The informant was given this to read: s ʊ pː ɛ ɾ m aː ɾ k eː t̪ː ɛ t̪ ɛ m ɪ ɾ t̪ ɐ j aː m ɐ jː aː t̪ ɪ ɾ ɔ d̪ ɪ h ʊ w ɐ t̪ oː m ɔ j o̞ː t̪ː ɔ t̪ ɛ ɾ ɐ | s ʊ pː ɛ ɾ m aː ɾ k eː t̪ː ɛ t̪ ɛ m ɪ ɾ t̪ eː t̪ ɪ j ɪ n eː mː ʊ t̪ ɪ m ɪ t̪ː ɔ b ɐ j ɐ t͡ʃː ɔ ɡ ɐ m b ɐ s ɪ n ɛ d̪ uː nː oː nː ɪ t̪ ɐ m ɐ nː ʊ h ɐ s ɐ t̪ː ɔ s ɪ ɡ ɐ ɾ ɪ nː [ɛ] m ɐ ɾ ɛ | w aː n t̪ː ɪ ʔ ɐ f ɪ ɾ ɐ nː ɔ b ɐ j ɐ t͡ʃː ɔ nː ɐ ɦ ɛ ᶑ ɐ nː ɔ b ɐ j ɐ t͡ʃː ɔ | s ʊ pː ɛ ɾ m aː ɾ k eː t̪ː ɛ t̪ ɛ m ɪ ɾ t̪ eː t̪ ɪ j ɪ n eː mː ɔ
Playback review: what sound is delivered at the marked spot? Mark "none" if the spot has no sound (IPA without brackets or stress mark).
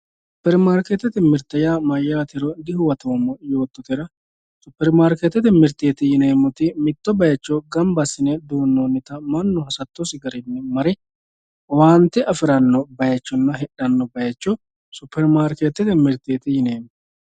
ɛ